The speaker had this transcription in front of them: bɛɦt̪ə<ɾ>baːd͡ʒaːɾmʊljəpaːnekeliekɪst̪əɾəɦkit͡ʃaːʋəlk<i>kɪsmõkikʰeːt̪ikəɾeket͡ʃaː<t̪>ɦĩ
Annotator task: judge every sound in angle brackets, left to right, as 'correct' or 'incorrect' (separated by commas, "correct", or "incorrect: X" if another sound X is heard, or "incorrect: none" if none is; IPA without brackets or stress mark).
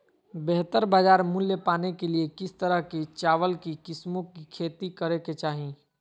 correct, correct, incorrect: none